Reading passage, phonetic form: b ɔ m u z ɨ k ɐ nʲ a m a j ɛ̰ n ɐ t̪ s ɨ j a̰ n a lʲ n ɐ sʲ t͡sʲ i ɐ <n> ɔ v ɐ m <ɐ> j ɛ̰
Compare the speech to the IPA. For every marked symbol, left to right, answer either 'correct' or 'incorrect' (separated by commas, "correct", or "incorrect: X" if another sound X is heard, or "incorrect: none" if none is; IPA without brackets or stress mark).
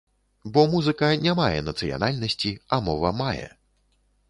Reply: incorrect: m, incorrect: a